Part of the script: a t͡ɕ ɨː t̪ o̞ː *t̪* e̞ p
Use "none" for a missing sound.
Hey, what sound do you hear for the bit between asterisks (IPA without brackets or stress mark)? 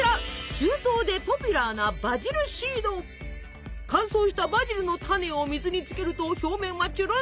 d̪